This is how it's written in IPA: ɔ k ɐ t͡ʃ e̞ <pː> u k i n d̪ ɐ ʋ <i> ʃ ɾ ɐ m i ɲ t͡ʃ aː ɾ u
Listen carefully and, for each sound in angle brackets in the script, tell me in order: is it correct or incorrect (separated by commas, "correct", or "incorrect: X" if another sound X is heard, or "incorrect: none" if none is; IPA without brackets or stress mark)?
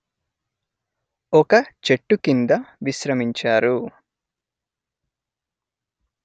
incorrect: ʈː, correct